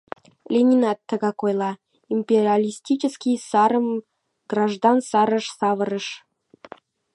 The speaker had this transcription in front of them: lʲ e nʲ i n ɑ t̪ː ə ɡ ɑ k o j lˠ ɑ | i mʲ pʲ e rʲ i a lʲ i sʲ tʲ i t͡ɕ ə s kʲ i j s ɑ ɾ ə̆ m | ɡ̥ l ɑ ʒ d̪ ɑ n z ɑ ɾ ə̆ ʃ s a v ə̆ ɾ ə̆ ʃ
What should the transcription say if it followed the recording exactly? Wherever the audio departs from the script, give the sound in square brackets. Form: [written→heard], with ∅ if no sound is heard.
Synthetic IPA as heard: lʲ e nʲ i n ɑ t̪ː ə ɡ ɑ k o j lˠ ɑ | i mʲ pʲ e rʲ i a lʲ i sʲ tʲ i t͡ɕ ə s kʲ i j s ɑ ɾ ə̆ m | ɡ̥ [l→r] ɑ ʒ d̪ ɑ n [z→s] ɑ ɾ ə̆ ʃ s [a→ɑ] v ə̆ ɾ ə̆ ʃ